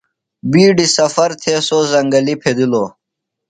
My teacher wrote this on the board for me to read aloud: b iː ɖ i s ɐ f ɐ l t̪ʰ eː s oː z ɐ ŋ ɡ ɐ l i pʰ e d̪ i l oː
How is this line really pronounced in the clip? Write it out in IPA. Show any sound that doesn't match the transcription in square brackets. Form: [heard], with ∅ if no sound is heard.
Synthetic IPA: b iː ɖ i s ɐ f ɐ [ɾ] t̪ʰ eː s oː z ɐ ŋ ɡ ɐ l i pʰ e d̪ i l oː